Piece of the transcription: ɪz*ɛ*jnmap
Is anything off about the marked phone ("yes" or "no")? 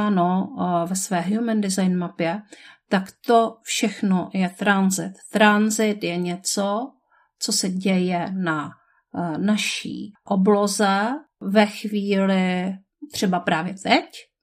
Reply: yes